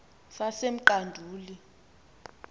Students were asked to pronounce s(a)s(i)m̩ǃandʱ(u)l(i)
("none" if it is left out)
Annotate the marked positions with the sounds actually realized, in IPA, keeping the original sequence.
a, e, uː, i

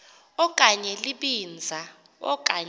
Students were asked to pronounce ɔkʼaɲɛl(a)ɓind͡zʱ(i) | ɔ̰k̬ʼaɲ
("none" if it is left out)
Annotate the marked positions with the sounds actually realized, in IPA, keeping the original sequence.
i, a

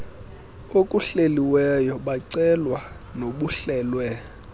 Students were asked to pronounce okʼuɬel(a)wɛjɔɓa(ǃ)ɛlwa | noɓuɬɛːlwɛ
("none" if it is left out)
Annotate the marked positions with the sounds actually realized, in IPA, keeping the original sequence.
i, ǀ

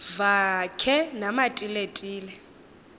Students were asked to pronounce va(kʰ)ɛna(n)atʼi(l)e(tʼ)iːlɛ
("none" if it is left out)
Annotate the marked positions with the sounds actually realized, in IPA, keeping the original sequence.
kʰ, m, l, tʼ

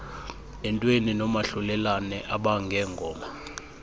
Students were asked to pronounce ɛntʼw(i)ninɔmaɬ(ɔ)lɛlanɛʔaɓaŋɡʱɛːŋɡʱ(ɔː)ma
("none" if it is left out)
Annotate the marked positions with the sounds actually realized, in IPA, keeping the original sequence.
e, u, ɔː

